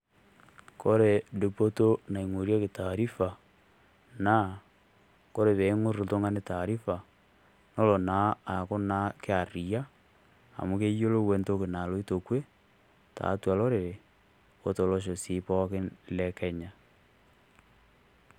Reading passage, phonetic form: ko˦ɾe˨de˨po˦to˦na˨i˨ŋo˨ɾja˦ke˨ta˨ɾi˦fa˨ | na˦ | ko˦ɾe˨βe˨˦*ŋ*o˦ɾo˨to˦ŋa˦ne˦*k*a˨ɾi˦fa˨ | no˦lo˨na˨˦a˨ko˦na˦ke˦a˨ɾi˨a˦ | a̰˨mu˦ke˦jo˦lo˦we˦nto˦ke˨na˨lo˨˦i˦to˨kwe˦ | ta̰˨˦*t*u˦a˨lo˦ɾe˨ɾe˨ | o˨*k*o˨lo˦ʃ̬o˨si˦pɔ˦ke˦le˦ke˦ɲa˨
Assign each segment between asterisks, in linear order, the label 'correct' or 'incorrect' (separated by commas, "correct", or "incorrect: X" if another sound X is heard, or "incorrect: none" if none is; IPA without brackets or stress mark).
correct, incorrect: t, correct, incorrect: t